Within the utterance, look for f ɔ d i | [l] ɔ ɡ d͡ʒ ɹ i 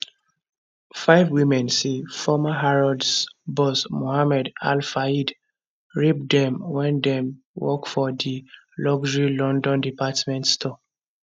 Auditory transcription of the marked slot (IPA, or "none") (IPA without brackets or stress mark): l